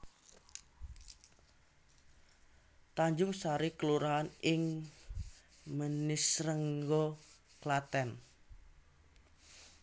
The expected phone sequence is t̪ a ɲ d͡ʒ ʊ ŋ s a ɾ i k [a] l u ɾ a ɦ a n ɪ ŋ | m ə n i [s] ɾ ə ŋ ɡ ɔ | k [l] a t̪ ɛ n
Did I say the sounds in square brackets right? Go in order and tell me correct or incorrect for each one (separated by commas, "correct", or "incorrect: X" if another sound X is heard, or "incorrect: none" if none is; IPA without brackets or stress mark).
incorrect: ə, correct, correct